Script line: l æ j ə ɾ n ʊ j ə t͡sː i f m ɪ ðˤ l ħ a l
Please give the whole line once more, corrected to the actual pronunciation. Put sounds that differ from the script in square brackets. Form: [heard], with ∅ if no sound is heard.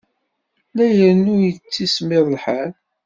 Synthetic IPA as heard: l æ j ə ɾ n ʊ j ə t͡sː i [s] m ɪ ðˤ l ħ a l